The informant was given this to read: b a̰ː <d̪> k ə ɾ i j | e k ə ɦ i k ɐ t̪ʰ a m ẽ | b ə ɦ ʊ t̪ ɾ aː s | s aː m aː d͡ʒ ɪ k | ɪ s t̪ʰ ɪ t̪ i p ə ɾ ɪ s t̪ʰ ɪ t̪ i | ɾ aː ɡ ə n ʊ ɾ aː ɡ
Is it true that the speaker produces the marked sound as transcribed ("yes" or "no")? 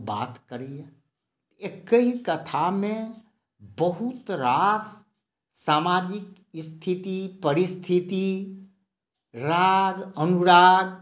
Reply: no